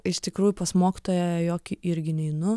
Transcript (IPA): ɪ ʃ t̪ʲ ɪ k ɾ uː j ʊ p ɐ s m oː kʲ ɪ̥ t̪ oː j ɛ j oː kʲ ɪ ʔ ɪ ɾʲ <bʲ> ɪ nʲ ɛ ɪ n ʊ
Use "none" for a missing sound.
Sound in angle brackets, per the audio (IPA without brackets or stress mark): ɡʲ